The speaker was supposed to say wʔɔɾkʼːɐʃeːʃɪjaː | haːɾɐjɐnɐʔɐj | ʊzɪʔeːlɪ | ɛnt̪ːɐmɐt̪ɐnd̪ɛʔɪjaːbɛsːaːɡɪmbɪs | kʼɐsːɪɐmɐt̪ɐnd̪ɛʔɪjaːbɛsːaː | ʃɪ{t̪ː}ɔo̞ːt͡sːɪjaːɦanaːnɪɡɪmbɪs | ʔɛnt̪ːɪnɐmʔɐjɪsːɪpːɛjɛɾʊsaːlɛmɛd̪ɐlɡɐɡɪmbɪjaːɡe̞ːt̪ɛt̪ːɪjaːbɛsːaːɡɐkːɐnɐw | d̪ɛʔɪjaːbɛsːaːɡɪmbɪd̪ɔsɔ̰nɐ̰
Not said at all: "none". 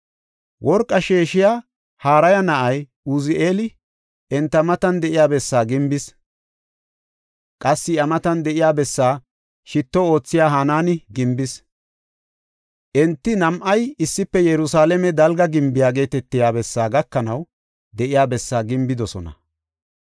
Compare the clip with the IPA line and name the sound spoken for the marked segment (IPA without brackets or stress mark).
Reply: t̪ː